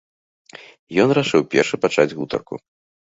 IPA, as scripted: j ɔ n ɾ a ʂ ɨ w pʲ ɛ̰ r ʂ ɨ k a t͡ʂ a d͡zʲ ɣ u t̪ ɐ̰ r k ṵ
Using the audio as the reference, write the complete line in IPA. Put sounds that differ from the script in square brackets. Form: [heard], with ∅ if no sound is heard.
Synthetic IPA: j ɔ n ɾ a ʂ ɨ w pʲ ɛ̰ r ʂ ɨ [p] a t͡ʂ a d͡zʲ ɣ u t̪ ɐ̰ r k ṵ